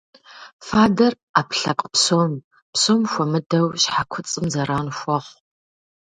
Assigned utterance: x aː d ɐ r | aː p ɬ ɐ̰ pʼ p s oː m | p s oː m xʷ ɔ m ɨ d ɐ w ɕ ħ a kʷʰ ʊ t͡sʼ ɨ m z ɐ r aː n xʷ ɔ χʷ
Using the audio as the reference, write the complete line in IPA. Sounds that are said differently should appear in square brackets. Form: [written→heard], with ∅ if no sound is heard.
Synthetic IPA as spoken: [x→f] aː d ɐ r | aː p ɬ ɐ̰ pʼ p s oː m | p s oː m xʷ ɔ m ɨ d ɐ w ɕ ħ a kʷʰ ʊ t͡sʼ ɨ m z ɐ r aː n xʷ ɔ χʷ